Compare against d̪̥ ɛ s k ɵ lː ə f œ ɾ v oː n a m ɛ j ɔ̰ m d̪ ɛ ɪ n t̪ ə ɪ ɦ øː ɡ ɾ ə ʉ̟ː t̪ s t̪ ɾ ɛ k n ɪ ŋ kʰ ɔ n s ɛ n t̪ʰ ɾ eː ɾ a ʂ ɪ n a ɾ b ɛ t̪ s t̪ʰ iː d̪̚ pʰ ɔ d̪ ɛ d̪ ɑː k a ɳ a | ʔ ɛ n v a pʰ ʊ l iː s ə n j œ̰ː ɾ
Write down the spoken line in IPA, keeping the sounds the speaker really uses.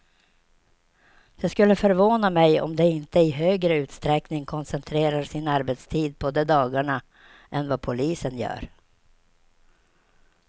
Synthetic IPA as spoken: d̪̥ ɛ s k ɵ lː ə f œ ɾ v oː n a m ɛ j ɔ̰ m d̪ ɛ ɪ n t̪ ə ɪ ɦ øː ɡ ɾ ə ʉ̟ː t̪ s t̪ ɾ ɛ k n ɪ ŋ kʰ ɔ n s ɛ n t̪ʰ ɾ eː ɾ a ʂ ɪ n a ɾ b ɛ t̪ s t̪ʰ iː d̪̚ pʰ ɔ d̪ ɛ d̪ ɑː ɡ a ɳ a | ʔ ɛ n v a pʰ ʊ l iː s ə n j œ̰ː ɾ